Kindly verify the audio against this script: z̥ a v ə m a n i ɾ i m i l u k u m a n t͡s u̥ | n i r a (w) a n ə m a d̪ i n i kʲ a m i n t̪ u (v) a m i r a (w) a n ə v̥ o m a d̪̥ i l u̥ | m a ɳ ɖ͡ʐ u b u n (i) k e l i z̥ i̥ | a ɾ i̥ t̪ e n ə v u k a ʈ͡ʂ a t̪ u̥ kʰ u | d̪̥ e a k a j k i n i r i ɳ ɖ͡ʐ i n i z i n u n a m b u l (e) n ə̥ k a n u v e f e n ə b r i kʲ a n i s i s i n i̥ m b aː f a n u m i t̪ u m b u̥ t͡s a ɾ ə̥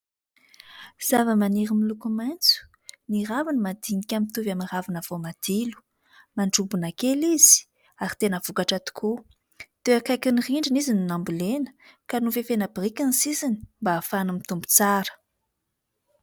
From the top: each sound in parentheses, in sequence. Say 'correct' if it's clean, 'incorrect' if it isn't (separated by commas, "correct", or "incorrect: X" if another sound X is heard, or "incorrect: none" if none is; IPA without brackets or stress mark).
incorrect: v, correct, incorrect: v, incorrect: a, correct